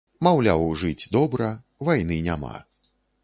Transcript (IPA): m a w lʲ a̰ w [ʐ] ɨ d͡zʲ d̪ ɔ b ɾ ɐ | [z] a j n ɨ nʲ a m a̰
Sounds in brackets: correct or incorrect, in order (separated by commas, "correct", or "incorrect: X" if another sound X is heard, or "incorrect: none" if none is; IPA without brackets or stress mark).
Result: correct, incorrect: v